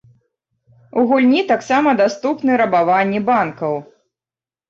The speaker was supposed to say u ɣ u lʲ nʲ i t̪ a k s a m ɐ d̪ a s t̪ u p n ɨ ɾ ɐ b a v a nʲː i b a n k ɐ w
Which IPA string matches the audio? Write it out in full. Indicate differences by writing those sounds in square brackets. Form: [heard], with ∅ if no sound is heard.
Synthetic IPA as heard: u ɣ u lʲ nʲ i t̪ a k s a m ɐ d̪ a s t̪ u p n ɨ ɾ ɐ b a v a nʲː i b a n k ɐ w

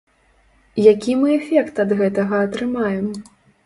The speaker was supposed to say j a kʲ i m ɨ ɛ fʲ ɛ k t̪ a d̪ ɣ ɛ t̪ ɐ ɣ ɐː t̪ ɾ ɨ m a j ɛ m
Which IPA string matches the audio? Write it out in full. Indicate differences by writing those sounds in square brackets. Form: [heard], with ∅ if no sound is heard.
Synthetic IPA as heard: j a kʲ i m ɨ ɛ fʲ ɛ k t̪ [ɐ] d̪ ɣ ɛ t̪ ɐ ɣ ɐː t̪ ɾ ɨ m a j ɛ m

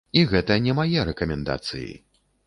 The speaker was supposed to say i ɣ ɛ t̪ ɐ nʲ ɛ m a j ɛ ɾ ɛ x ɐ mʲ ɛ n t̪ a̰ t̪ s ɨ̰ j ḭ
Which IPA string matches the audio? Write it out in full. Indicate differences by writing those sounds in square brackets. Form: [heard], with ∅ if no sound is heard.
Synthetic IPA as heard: i ɣ ɛ t̪ ɐ nʲ ɛ m a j ɛ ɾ ɛ [k] ɐ mʲ ɛ n [d̪] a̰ t̪ s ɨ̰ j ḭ

